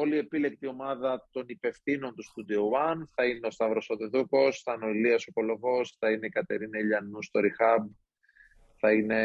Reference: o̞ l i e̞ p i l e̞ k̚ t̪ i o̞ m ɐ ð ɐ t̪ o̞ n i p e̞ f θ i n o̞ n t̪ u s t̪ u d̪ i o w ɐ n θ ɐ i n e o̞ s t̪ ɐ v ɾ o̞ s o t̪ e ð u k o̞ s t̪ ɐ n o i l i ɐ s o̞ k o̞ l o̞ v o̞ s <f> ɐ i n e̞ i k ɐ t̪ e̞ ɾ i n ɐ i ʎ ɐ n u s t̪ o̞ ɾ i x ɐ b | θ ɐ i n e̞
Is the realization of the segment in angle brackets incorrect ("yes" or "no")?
yes